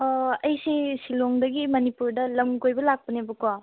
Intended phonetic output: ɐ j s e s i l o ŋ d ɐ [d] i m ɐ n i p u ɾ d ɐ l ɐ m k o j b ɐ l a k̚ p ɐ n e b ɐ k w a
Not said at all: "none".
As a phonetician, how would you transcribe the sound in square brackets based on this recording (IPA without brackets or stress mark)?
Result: ɡ